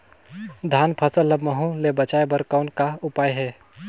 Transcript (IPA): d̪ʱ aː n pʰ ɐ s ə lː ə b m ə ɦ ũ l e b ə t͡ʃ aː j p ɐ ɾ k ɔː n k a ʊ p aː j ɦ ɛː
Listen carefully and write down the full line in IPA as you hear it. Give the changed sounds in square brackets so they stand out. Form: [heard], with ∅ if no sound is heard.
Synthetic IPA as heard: d̪ʱ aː n pʰ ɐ s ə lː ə b m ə ɦ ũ l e b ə t͡ʃ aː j [b] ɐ ɾ k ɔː n k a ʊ p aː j ɦ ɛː